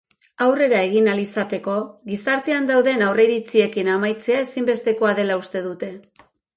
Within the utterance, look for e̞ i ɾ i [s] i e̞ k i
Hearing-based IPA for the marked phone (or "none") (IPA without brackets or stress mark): t͡s